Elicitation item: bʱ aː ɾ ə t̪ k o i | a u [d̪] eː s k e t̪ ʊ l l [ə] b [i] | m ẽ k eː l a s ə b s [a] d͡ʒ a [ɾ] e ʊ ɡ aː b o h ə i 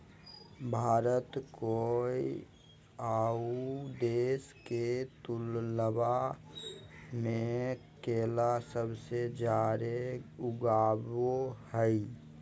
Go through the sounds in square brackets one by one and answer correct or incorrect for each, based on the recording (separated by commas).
correct, correct, incorrect, incorrect, correct